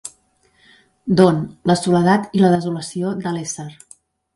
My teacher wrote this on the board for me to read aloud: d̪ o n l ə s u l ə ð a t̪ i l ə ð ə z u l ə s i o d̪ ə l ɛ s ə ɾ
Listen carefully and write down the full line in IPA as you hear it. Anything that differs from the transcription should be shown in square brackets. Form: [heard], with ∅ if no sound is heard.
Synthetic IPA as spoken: d̪ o n l ə s u l ə ð a t̪ i l ə ð ə z u l ə s i o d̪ ə l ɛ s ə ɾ